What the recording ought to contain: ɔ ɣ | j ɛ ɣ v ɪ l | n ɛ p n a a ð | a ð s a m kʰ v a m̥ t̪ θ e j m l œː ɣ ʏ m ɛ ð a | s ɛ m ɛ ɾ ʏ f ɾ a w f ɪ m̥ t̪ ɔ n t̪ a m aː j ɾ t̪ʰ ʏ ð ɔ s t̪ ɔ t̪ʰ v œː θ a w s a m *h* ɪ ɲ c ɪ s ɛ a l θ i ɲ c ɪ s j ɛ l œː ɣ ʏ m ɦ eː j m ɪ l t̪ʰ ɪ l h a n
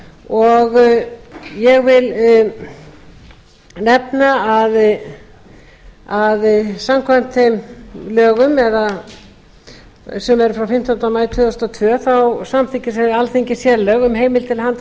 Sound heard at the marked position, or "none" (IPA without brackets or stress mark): θ